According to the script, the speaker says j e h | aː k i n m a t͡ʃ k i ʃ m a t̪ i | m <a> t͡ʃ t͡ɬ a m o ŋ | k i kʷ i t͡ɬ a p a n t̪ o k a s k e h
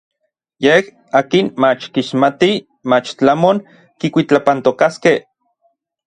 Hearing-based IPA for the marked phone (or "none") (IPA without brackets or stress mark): a